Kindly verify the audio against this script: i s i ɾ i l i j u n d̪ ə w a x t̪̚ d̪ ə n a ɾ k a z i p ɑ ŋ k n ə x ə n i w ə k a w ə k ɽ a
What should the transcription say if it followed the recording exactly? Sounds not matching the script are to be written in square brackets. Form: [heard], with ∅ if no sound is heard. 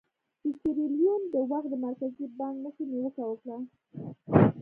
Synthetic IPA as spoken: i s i ɾ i l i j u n d̪ ə w a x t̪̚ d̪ ə [m] a ɾ k a z i [b] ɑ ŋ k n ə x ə n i w ə k a w ə k ɽ a